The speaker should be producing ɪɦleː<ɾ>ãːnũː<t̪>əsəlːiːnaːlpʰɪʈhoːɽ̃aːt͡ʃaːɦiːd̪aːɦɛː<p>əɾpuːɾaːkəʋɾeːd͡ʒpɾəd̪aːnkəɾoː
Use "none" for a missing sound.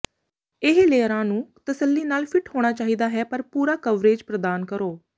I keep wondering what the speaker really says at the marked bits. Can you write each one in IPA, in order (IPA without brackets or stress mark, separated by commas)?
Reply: ɾ, t̪, p